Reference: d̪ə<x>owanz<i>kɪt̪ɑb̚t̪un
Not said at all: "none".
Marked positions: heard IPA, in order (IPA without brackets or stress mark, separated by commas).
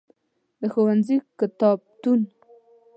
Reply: x, i